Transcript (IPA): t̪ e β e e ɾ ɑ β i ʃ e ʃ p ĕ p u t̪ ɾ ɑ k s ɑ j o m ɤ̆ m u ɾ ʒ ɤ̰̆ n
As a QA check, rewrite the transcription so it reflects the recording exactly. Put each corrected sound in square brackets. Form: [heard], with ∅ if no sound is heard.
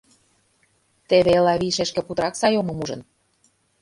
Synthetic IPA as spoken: t̪ e β e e [l] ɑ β i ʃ e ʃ [k] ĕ p u t̪ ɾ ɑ k s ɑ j o m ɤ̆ m u [∅] ʒ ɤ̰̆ n